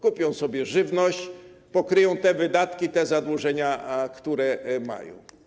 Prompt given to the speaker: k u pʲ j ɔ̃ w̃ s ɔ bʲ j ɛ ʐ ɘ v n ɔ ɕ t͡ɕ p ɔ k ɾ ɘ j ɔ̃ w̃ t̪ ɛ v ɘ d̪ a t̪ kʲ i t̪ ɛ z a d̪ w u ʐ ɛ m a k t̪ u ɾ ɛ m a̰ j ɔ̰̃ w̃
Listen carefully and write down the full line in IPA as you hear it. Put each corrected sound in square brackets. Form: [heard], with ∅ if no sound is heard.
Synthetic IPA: k u pʲ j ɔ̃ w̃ s ɔ bʲ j ɛ ʐ ɘ v n ɔ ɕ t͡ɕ p ɔ k ɾ ɘ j ɔ̃ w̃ t̪ ɛ v ɘ d̪ a t̪ kʲ i t̪ ɛ z a d̪ w u ʐ ɛ [ɲ] a k t̪ u ɾ ɛ m a̰ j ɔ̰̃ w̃

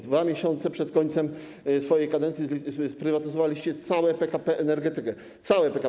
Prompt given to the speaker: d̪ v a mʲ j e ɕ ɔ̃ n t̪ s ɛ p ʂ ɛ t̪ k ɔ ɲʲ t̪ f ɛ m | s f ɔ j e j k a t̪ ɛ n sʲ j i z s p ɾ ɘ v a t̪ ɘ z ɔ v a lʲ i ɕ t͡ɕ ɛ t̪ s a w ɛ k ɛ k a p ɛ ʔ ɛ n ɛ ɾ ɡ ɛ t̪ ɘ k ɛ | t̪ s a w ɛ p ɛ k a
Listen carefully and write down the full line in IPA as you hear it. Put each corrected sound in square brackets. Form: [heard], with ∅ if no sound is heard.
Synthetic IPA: d̪ v a mʲ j e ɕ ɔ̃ n t̪ s ɛ p ʂ ɛ t̪ k ɔ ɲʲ t̪ [s] ɛ m | s f ɔ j e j k a [d̪] ɛ n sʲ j i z s p ɾ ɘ v a t̪ ɘ z ɔ v a lʲ i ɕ t͡ɕ ɛ t̪ s a w ɛ [p] ɛ k a p ɛ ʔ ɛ n ɛ ɾ ɡ ɛ t̪ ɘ k ɛ | t̪ s a w ɛ p ɛ k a

